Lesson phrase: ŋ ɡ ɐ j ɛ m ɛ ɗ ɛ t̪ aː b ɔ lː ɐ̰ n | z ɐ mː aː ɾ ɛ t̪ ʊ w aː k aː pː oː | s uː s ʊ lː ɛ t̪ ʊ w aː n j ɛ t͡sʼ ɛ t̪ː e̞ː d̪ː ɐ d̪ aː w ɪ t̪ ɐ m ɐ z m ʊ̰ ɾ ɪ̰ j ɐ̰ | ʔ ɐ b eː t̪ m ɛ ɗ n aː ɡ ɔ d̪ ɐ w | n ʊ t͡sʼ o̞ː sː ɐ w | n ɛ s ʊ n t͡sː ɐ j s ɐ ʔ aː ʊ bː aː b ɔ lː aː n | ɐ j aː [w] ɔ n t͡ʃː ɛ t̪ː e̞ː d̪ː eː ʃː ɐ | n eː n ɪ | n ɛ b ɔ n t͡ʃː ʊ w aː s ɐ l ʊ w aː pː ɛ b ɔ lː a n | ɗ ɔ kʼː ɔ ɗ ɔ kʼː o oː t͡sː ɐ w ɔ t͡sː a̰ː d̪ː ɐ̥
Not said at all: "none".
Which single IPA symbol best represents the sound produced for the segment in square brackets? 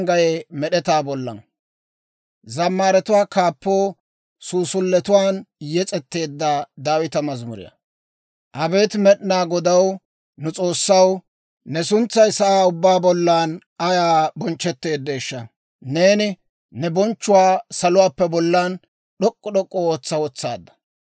b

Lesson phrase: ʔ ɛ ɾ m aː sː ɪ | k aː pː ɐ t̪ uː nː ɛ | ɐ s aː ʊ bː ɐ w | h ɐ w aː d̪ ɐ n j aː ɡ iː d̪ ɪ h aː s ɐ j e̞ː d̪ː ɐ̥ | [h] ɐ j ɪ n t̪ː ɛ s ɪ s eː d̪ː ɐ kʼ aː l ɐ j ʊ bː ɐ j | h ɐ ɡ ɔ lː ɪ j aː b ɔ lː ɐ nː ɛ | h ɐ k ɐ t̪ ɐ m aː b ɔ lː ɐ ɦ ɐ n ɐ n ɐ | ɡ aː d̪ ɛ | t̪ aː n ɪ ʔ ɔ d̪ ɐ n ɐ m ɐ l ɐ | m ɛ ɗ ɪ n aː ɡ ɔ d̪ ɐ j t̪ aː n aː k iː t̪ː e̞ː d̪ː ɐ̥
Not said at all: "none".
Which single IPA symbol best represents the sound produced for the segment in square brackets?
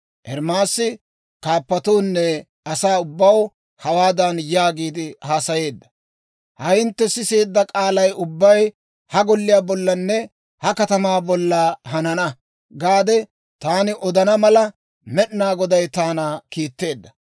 h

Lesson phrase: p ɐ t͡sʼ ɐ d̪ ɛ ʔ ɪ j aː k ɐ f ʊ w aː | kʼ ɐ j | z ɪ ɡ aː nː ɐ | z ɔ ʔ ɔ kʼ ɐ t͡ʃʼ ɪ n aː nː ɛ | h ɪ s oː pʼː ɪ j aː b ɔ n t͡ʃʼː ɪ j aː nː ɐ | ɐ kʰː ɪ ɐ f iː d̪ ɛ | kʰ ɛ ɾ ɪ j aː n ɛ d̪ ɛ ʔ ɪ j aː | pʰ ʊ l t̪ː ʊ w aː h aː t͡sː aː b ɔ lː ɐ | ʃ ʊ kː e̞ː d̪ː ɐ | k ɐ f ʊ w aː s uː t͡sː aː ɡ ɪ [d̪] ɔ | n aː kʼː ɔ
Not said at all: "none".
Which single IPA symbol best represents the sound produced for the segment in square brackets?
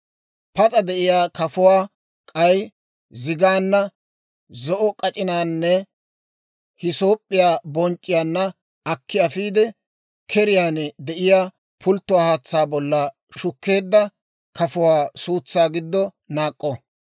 d̪ː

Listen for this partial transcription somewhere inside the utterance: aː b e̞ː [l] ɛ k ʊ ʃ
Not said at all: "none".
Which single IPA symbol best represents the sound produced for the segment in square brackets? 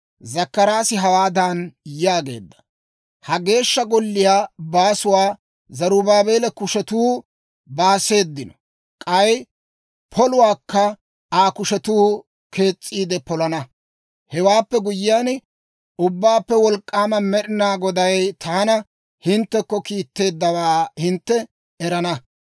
l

